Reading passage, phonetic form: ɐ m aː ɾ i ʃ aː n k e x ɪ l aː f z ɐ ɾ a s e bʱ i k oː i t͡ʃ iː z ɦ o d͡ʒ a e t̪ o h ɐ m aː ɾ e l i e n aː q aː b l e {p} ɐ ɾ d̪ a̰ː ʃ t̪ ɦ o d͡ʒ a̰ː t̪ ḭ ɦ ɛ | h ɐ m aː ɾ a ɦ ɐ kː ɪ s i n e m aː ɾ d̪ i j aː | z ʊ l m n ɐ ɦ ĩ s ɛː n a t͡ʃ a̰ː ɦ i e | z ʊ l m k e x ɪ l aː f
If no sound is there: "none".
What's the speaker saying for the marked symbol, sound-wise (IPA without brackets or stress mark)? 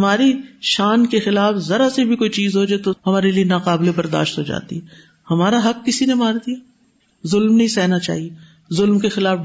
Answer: b